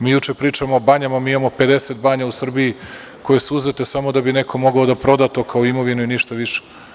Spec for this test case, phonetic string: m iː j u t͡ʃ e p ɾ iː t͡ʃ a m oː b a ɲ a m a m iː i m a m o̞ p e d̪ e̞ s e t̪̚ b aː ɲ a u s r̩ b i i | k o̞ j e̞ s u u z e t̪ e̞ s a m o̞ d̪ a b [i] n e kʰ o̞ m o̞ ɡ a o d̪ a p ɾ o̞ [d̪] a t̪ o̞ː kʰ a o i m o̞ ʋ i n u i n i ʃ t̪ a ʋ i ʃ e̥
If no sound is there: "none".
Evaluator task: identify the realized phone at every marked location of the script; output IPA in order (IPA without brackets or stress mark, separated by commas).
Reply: i, d̪